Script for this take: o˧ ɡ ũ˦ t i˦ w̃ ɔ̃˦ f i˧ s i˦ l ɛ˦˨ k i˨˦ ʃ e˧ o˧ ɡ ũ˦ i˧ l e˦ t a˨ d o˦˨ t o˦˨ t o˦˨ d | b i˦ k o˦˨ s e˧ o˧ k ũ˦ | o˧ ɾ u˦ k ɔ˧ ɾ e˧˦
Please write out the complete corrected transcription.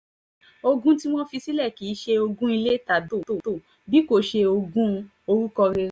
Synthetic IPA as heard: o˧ ɡ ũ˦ t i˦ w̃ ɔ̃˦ f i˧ s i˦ l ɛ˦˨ k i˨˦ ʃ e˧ o˧ ɡ ũ˦ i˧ l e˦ t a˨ d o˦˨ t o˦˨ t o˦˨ | b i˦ k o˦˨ ʃ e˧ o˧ ɡ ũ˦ | o˧ ɾ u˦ k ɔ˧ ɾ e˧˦